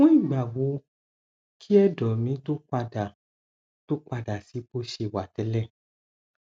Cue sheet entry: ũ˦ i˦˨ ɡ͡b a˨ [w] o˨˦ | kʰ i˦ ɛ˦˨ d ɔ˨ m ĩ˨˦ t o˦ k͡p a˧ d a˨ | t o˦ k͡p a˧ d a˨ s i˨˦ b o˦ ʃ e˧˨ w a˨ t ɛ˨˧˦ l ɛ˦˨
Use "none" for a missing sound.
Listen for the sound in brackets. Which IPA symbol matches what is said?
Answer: w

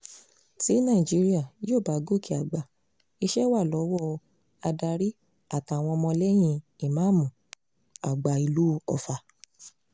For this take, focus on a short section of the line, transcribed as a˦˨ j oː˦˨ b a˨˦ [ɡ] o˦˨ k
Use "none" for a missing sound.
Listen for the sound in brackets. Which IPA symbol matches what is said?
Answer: ɡ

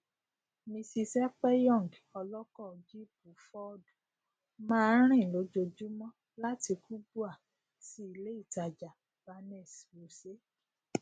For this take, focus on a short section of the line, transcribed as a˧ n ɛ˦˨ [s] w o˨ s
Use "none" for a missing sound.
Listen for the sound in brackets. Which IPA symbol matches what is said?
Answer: s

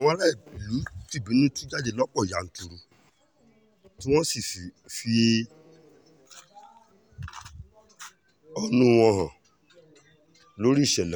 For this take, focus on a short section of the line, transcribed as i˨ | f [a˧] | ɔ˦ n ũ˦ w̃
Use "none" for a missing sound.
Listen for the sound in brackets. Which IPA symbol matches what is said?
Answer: i˧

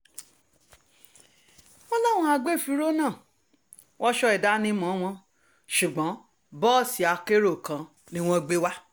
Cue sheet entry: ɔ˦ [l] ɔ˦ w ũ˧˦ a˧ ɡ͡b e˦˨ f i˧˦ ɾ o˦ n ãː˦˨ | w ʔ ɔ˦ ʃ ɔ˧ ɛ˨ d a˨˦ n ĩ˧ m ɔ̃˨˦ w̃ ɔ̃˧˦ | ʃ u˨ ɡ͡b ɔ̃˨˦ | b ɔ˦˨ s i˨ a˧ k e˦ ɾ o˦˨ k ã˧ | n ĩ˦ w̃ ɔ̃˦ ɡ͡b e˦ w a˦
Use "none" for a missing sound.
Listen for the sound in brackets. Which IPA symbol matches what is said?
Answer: l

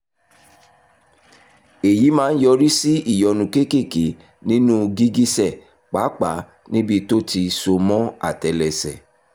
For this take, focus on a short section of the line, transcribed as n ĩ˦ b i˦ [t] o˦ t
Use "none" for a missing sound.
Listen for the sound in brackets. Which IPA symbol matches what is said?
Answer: t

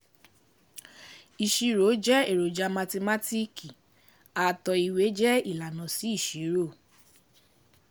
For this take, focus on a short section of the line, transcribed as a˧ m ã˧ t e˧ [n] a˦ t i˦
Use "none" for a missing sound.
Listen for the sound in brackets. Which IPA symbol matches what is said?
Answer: m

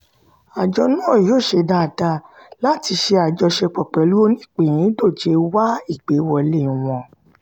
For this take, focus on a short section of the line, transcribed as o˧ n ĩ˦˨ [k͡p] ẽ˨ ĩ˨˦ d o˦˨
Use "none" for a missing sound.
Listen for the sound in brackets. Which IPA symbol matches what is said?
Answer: k͡p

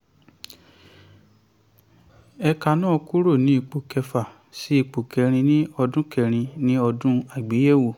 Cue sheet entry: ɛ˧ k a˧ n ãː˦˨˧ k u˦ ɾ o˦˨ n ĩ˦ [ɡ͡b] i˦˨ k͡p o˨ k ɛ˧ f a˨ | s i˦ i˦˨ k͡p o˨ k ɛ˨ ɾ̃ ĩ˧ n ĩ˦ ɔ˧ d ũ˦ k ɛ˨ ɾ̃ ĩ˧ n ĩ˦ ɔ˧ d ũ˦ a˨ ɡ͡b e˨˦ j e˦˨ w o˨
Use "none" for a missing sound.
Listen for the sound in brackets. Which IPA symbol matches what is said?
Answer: none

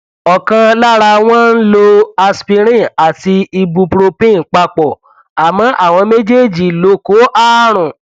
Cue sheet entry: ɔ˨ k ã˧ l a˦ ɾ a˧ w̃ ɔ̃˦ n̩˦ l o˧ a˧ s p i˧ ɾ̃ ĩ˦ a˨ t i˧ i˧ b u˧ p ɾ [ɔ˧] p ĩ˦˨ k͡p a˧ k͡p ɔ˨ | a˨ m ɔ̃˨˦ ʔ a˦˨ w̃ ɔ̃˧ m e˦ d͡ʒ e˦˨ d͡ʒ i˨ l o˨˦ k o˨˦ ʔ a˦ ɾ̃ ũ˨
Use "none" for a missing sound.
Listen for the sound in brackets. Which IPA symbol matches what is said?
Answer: o˧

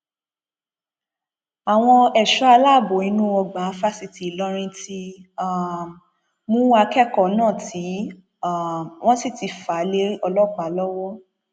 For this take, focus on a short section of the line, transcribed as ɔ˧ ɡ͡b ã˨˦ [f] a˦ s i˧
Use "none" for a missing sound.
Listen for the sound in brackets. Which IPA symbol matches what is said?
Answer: f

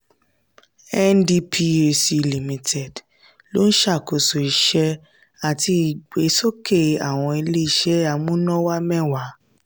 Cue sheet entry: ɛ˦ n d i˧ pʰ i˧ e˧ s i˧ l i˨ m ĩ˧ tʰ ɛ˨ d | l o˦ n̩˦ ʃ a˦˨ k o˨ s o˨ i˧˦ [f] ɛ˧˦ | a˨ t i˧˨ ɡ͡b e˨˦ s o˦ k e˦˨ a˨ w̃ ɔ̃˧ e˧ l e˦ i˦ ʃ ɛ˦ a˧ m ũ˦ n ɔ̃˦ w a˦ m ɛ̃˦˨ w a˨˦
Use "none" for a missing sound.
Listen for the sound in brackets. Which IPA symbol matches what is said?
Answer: ʃ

